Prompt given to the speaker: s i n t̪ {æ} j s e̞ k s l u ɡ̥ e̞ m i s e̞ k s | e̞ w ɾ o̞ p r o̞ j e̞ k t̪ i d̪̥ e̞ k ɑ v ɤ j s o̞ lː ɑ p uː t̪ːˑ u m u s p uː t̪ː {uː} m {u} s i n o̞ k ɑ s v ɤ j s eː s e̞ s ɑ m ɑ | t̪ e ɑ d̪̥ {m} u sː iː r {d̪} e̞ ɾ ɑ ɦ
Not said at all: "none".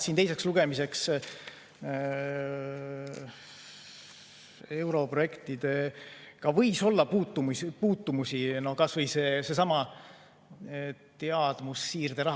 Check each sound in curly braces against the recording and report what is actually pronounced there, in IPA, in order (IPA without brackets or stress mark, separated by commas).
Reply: e, u, u, m, d̪